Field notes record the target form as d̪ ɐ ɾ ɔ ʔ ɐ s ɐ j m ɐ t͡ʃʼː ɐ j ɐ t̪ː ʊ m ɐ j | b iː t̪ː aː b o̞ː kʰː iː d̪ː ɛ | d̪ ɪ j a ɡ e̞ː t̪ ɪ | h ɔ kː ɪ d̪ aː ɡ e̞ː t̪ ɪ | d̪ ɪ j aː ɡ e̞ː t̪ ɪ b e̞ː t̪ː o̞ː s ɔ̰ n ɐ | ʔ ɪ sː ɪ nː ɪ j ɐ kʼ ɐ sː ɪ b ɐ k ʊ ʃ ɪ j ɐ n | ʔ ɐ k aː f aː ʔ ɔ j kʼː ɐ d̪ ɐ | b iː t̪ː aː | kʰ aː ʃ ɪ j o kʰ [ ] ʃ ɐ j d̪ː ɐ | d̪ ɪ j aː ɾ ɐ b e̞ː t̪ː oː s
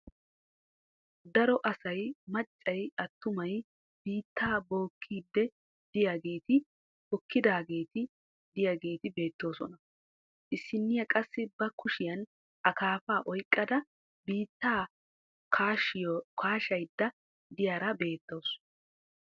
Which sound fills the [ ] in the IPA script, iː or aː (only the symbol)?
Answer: aː